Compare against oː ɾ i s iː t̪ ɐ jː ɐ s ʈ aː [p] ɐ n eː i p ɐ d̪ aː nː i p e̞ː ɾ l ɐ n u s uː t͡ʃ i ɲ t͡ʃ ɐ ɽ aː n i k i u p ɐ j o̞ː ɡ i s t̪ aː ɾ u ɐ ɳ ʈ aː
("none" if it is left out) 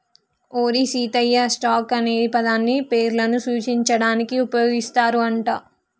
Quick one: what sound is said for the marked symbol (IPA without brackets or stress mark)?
k